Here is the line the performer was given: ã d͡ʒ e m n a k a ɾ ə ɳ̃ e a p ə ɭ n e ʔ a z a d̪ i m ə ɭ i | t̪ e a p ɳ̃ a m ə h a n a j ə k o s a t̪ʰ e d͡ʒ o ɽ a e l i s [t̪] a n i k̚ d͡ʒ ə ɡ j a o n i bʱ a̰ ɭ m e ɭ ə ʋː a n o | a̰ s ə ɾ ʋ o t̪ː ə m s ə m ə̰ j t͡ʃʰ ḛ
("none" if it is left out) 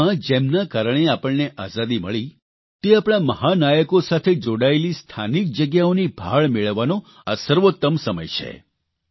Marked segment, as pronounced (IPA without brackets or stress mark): t̪ʰ